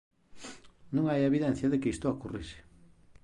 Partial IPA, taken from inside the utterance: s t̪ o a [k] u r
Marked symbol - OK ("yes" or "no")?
yes